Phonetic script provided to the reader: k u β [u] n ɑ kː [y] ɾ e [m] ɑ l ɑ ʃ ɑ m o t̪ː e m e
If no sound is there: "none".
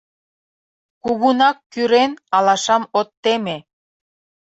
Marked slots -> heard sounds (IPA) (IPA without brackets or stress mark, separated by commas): u, y, n